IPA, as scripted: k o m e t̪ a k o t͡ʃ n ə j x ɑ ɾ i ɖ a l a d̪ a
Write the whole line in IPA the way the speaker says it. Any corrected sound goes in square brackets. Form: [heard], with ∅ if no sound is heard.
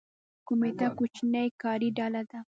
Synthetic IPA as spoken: k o m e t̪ a k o t͡ʃ n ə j [k] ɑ ɾ i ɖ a l a d̪ a